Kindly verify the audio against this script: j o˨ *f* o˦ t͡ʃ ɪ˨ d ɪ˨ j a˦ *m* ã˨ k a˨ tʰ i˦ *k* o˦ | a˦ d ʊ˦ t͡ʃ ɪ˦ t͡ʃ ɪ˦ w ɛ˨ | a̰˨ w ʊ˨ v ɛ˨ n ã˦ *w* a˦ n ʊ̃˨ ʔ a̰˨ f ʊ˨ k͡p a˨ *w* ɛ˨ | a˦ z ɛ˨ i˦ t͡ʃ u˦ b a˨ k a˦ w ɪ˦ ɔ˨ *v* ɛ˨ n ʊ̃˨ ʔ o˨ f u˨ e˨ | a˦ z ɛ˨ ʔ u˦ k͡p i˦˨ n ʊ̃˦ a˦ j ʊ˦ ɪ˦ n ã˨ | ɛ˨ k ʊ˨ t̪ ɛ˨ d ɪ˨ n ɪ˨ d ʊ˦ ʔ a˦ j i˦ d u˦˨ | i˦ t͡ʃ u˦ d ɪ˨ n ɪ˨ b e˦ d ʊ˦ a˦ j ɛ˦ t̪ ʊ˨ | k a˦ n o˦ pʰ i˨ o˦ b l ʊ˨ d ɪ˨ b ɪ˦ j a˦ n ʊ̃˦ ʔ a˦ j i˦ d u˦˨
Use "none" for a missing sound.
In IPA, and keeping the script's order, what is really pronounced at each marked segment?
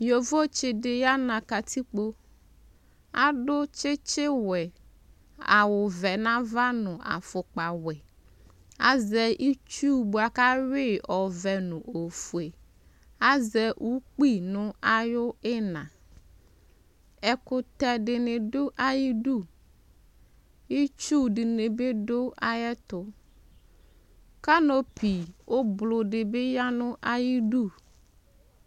v, n, k͡p, v, w, v

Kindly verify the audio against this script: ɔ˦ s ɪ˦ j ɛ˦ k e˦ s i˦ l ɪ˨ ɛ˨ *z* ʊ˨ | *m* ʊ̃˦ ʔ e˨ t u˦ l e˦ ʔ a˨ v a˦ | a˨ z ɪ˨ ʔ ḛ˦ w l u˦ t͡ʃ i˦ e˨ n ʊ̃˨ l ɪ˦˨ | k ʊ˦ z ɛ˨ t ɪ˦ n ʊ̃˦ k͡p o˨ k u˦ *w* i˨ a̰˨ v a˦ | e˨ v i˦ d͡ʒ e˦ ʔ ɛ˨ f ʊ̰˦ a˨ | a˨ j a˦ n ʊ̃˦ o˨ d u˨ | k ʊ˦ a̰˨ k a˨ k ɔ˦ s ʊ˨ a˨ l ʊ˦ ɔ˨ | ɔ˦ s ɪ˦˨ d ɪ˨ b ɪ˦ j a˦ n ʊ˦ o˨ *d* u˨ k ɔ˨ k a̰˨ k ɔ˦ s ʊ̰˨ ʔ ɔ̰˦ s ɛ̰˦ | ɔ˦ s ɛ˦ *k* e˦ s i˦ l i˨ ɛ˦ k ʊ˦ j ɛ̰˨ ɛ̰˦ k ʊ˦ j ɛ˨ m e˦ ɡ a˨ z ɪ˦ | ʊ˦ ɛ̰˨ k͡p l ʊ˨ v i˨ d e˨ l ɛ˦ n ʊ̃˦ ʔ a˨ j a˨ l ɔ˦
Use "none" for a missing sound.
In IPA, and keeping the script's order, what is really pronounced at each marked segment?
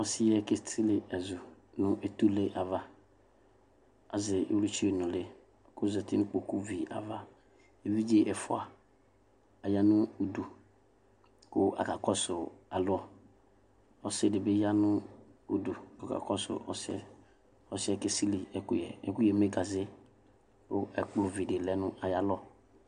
z, n, v, d, k

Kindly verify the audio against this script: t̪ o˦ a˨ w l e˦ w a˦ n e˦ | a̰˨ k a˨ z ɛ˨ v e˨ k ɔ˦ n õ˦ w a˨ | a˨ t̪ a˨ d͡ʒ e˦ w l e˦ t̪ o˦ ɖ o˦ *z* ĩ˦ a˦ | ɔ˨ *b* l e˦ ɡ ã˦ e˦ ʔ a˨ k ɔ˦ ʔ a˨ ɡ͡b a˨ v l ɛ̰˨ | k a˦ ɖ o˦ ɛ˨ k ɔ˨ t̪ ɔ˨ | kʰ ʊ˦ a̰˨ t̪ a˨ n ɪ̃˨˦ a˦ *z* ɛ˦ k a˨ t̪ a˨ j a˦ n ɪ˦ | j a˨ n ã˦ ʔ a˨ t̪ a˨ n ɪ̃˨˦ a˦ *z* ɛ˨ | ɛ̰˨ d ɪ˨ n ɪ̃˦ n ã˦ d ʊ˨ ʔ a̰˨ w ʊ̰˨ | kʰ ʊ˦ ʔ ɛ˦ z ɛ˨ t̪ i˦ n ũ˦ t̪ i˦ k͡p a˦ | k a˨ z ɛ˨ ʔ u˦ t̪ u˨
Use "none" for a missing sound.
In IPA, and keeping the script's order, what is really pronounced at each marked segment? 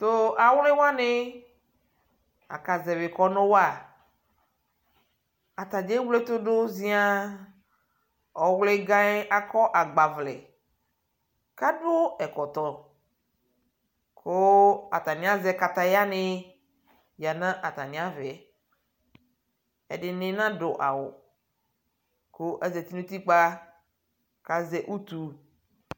z, w, z, v

